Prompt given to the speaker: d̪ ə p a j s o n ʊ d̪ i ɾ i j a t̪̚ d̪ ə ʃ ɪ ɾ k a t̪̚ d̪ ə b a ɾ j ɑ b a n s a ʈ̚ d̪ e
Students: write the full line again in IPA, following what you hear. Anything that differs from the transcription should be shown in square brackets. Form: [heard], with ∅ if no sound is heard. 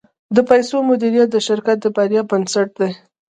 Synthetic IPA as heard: d̪ ə p a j s o [m] ʊ d̪ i ɾ i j a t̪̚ d̪ ə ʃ ɪ ɾ k a t̪̚ d̪ ə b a ɾ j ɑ b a n s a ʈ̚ d̪ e